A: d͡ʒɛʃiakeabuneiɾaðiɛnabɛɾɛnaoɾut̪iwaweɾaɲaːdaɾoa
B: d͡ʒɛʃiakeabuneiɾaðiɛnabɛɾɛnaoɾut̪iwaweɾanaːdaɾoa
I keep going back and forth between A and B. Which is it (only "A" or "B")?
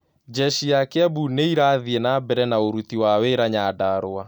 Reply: A